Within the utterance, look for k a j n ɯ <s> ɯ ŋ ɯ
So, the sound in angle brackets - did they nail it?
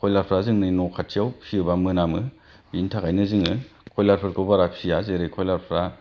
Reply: no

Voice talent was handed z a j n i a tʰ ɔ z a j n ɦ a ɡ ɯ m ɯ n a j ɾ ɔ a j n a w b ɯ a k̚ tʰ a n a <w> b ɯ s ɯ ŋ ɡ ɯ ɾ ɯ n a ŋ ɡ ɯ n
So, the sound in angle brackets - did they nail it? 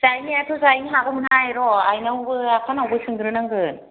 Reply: yes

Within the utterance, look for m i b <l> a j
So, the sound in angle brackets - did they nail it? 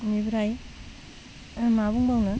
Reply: no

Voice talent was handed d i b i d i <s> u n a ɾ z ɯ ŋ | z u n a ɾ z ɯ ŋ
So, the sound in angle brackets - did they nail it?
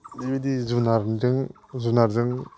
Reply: no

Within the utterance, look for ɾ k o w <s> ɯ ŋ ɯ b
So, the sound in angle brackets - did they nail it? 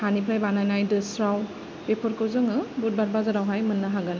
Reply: no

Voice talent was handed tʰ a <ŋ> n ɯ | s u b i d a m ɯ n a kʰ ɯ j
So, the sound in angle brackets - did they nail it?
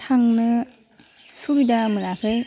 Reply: yes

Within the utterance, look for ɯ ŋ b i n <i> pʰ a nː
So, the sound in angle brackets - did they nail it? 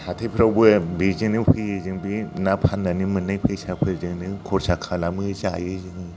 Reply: no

